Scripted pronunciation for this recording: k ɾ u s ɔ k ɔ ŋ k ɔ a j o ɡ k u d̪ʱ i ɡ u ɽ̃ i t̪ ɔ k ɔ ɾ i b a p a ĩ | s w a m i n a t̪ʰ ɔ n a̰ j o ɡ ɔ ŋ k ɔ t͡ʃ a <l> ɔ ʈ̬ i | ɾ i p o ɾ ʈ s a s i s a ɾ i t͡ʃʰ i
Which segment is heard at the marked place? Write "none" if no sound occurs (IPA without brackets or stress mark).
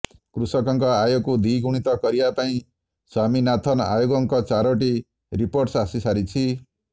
ɾ